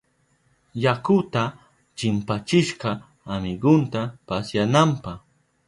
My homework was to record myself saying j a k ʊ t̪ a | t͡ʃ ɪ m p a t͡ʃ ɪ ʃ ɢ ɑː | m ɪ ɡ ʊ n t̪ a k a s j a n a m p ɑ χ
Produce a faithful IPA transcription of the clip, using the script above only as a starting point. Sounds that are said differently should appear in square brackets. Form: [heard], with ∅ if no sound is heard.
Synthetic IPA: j a k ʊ t̪ a | t͡ʃ ɪ m p a t͡ʃ ɪ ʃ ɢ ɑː | m ɪ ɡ ʊ n t̪ a [p] a s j a n a m p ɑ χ

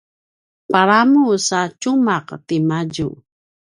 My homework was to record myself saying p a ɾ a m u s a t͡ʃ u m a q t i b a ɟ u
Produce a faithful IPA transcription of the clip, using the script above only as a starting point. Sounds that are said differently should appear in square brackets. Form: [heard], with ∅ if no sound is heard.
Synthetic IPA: p a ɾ a m u s a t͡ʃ u m a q t i [m] a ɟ u

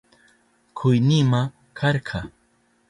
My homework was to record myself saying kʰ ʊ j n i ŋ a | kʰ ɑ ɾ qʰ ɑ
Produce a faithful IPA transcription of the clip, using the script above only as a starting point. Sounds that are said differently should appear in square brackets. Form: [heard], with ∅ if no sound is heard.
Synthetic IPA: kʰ ʊ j n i [m] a | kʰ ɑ ɾ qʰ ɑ

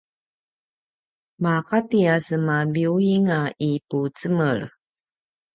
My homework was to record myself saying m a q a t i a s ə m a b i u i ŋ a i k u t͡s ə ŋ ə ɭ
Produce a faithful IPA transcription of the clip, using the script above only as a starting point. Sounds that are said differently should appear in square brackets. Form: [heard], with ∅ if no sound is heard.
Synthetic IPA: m a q a t i a s ə m a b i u i ŋ a i [p] u t͡s ə [m] ə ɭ

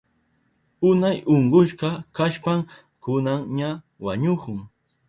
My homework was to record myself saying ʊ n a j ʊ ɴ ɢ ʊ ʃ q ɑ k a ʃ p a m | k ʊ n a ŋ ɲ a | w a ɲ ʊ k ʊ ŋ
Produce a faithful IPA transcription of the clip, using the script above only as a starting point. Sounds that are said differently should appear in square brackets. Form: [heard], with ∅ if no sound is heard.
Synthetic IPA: ʊ n a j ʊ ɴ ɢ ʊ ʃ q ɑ k a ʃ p a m | k ʊ n a ŋ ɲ a | w a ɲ ʊ k ʊ ŋ

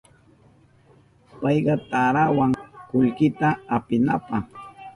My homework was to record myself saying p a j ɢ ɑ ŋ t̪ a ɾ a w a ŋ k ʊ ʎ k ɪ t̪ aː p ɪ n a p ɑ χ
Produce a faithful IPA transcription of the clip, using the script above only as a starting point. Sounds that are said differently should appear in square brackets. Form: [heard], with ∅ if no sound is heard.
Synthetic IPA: p [ɑ] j ɢ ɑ [∅] t̪ a ɾ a w a ŋ k ʊ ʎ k ɪ t̪ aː p ɪ n a p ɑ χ

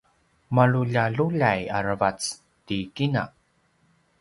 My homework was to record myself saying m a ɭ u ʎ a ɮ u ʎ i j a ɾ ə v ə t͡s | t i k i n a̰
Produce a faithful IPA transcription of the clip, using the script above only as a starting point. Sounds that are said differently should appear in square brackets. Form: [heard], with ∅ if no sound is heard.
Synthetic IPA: m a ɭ u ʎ a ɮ u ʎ [a] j a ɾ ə v [a] t͡s | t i k i n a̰

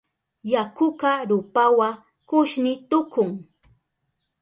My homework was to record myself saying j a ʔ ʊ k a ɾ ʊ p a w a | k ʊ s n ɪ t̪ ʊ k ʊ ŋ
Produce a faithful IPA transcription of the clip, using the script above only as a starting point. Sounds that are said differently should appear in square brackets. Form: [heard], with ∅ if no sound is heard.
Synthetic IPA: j a [k] ʊ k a ɾ ʊ p a w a | k ʊ [ʃ] n ɪ t̪ ʊ k ʊ ŋ

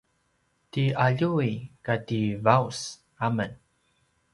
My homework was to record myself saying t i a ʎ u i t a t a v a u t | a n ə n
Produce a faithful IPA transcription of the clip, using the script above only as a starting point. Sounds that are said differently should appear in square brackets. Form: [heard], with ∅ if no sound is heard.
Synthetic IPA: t i a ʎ u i [k] a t [i] v a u [s] | a [m] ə n

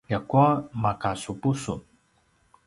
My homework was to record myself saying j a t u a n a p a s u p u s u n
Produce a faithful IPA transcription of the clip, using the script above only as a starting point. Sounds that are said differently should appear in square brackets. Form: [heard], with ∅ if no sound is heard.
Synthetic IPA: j a [k] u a [m] a [k] a s u p u s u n

